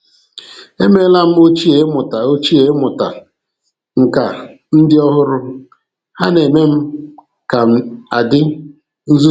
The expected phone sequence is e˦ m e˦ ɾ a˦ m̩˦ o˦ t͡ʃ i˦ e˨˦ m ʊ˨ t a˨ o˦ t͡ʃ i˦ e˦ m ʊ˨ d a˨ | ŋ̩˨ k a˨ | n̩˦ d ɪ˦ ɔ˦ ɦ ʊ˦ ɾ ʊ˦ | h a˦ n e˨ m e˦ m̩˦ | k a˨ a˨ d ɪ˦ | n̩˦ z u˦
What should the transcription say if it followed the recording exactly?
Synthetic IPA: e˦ m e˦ l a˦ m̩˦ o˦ t͡ʃ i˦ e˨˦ m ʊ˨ t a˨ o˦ t͡ʃ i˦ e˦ m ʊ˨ t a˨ | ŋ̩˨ k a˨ | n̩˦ d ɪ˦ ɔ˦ ɦ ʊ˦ ɾ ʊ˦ | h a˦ n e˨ m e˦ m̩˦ | k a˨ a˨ d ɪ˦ | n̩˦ z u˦